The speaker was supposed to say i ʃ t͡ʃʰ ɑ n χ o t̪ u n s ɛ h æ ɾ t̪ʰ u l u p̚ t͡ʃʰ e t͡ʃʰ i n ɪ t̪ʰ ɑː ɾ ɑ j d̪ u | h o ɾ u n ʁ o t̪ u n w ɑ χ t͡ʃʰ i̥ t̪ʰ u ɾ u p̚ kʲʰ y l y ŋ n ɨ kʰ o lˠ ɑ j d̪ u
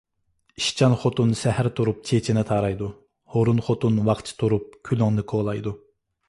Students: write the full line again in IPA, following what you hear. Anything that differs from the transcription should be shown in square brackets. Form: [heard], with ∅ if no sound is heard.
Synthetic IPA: i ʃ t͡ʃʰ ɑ n χ o t̪ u n s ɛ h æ ɾ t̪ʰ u [ɾ] u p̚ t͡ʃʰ e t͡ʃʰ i n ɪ t̪ʰ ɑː ɾ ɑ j d̪ u | h o ɾ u n [χ] o t̪ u n w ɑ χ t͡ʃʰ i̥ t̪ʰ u ɾ u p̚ kʲʰ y l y ŋ n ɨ kʰ o lˠ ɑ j d̪ u